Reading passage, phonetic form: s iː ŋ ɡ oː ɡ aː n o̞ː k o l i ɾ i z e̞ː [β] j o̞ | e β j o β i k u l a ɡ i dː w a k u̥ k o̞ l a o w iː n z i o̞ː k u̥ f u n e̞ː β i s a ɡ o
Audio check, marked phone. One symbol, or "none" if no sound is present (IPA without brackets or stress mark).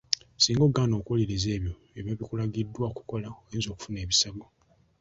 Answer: β